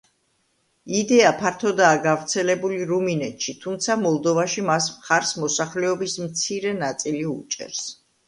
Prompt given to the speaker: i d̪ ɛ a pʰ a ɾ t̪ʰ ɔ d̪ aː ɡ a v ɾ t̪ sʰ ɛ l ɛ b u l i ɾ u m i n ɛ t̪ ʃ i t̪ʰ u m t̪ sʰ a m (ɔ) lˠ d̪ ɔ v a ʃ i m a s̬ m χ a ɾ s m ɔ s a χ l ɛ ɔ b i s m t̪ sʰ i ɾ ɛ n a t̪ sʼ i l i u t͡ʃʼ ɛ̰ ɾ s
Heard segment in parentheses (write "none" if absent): ɔ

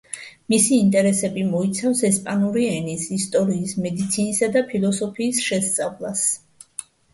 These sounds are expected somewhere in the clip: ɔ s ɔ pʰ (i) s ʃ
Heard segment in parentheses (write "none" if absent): iː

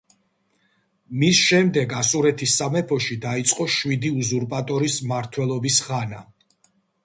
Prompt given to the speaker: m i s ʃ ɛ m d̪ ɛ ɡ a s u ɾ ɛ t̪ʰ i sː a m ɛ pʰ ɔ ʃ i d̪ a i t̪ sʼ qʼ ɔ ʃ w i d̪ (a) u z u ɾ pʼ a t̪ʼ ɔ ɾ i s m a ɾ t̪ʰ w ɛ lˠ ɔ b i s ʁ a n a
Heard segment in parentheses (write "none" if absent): i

